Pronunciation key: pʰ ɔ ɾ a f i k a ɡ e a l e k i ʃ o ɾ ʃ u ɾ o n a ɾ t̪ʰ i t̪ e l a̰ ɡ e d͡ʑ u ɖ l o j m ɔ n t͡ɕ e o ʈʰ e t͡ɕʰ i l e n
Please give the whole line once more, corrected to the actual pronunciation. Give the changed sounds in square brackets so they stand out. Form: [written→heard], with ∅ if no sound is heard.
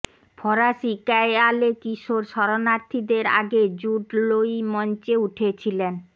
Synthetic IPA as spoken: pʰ ɔ ɾ a [f→ʃ] i k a [ɡ→∅] e a l e k i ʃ o ɾ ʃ [u→ɔ] ɾ o n a ɾ t̪ʰ i [t̪→d̪] e [l→ɾ] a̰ ɡ e d͡ʑ u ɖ l o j m ɔ n t͡ɕ e [o→u] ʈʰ e t͡ɕʰ i l e n